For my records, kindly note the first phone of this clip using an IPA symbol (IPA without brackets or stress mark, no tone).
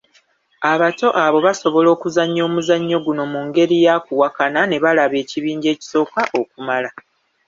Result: a